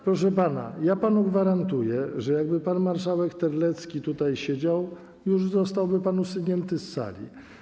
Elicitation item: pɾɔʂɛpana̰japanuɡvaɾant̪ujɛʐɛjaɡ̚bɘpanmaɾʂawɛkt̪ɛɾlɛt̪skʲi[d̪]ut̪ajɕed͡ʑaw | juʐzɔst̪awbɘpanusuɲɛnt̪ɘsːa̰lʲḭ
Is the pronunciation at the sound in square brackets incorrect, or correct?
incorrect